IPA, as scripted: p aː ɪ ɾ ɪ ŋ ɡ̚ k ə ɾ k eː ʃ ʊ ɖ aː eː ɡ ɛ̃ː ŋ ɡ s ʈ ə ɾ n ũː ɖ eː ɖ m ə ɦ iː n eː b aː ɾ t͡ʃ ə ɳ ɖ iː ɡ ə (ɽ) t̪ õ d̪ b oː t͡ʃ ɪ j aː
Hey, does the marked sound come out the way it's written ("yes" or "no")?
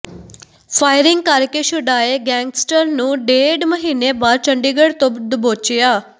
yes